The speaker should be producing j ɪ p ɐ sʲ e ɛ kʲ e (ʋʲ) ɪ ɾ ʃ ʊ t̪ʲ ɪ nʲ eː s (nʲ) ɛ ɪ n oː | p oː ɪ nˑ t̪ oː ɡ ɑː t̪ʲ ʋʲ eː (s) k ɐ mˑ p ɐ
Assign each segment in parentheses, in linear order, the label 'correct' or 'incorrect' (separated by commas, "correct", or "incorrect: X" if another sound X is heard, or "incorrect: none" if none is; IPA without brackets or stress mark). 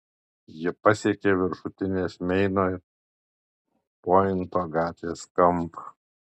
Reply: correct, incorrect: mʲ, correct